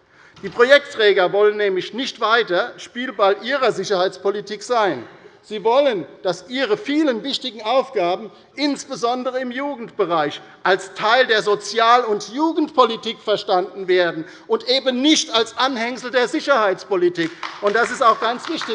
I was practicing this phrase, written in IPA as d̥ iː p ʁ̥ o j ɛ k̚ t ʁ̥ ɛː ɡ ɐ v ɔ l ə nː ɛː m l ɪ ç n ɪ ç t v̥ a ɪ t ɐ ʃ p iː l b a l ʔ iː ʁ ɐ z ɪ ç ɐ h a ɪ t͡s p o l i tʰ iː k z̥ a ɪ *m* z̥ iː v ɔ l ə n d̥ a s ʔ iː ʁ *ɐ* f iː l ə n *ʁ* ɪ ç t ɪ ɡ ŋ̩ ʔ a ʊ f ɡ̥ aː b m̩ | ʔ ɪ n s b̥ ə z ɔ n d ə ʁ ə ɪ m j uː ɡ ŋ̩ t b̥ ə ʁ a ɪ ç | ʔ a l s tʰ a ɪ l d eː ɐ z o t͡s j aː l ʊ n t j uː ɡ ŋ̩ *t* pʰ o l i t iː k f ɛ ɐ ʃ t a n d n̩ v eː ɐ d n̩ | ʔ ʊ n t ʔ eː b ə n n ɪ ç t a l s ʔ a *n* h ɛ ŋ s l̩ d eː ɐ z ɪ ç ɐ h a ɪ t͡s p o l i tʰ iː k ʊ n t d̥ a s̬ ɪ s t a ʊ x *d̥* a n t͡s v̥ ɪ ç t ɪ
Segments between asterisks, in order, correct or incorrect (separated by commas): incorrect, incorrect, incorrect, correct, correct, incorrect